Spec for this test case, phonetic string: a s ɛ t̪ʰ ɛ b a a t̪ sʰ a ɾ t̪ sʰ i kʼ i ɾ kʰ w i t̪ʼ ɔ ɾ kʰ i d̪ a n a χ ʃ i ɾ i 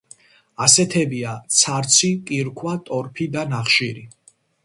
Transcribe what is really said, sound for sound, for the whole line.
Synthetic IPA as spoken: a s ɛ t̪ʰ ɛ b i a t̪ sʰ a ɾ t̪ sʰ i kʼ i ɾ kʰ w a t̪ʼ ɔ ɾ pʰ i d̪ a n a χ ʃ i ɾ i

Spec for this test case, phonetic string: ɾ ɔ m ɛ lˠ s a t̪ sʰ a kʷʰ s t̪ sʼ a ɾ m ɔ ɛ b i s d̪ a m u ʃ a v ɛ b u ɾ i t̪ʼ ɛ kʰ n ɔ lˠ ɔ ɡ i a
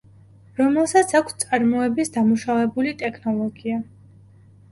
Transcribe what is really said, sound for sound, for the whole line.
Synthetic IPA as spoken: ɾ ɔ m ɛ lˠ s a t̪ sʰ a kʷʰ s t̪ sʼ a ɾ m ɔ ɛ b i s d̪ a m u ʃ a v ɛ b u l i t̪ʼ ɛ kʰ n ɔ lˠ ɔ ɡ i a

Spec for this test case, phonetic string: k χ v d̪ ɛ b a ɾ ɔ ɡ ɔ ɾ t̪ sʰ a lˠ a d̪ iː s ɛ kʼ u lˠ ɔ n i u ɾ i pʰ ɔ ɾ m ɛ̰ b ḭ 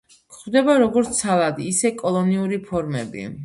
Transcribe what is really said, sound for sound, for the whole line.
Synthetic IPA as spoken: k χ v d̪ ɛ b a ɾ ɔ ɡ ɔ ɾ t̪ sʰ a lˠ a d̪ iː s ɛ kʼ ɔ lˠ ɔ n i u ɾ i pʰ ɔ ɾ m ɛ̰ b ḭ

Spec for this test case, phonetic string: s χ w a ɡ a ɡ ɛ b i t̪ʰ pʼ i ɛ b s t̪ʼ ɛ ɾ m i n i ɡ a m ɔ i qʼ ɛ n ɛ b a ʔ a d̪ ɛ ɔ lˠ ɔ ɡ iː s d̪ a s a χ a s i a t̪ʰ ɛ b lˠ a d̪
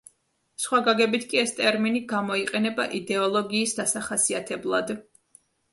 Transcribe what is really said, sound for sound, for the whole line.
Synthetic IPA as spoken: s χ w a ɡ a ɡ ɛ b i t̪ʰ kʼ i ɛ s t̪ʼ ɛ ɾ m i n i ɡ a m ɔ i qʼ ɛ n ɛ b a ʔ i d̪ ɛ ɔ lˠ ɔ ɡ iː s d̪ a s a χ a s i a t̪ʰ ɛ b lˠ a d̪

